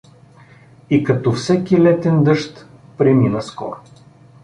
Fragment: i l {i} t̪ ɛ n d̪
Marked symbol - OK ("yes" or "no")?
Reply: no